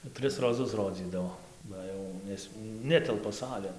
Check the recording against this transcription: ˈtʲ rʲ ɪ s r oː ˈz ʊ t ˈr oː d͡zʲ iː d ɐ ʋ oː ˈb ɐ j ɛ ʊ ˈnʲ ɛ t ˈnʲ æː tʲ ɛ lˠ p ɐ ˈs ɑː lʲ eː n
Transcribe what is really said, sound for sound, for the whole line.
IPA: ˈtʲ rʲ ɪ s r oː ˈz ʊ s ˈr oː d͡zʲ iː d ɐ ʋ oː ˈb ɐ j ɛ ʊ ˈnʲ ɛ s ˈnʲ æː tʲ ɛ lˠ p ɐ ˈs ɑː lʲ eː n